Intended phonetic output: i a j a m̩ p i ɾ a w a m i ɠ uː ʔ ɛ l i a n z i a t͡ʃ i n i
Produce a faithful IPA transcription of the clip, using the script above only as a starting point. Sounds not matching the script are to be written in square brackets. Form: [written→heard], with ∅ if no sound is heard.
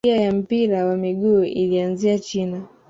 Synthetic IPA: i a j a m̩ p i ɾ a w a m i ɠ uː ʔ [ɛ→i] l i a n z i a t͡ʃ i n [i→a]